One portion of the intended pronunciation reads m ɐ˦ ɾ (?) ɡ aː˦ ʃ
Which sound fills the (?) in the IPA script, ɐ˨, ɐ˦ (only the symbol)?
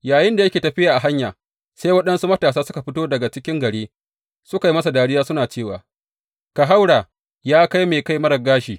ɐ˨